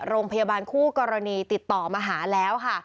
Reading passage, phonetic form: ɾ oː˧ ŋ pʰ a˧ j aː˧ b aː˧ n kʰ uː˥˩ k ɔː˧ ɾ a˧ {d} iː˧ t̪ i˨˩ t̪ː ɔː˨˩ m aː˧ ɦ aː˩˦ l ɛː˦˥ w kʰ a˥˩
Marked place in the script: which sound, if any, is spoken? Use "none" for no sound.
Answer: n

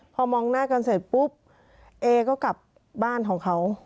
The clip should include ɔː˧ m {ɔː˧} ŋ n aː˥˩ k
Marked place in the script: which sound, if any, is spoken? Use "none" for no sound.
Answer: ɔː˧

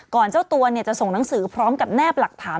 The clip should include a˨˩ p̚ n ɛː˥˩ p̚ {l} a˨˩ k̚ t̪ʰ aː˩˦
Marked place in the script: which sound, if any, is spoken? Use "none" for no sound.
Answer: l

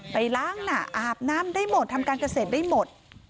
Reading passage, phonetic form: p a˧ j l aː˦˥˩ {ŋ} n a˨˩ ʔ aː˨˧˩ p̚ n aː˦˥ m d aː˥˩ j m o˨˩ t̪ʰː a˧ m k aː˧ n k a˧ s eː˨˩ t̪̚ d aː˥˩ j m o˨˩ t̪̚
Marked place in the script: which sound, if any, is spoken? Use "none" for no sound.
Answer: ŋ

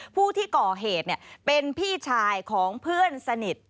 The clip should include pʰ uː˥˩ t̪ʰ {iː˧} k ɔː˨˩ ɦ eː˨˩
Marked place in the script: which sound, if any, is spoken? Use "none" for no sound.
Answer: iː˥˩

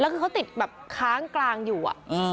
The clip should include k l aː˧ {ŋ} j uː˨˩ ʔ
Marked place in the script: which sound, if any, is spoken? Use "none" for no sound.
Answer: ŋ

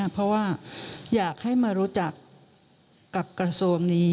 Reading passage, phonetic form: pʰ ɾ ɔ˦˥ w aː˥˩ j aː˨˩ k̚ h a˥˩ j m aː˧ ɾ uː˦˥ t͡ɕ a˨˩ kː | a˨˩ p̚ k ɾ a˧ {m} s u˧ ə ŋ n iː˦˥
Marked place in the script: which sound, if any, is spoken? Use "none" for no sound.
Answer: none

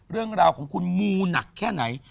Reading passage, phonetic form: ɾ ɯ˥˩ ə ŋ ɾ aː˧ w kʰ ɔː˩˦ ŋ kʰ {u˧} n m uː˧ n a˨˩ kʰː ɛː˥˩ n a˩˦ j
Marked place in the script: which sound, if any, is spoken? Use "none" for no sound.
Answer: u˧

